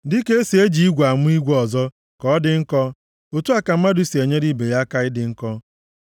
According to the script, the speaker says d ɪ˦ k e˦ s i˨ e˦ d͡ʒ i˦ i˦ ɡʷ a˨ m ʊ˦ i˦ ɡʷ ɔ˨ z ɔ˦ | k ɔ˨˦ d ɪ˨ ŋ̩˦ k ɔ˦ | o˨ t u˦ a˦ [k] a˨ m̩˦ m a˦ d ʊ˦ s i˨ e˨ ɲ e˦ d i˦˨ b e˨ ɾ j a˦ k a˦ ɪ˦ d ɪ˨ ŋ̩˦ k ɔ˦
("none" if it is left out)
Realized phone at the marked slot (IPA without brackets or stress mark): k